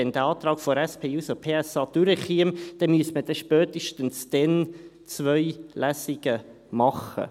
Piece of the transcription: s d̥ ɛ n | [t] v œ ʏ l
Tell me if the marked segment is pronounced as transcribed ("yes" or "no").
no